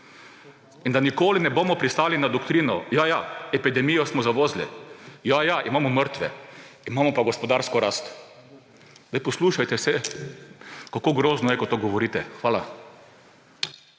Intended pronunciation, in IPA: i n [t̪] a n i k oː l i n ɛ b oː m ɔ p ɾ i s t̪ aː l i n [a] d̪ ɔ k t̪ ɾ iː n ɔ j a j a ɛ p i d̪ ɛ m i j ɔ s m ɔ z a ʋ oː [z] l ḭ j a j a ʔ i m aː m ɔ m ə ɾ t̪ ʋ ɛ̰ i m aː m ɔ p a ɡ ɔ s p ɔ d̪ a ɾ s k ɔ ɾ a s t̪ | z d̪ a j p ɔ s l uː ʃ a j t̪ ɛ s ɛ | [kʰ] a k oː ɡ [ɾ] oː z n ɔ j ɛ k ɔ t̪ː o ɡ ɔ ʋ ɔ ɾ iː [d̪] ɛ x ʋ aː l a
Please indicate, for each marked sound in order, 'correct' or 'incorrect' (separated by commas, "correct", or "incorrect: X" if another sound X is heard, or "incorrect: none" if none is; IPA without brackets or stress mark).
incorrect: d̪, correct, correct, incorrect: k, correct, incorrect: t̪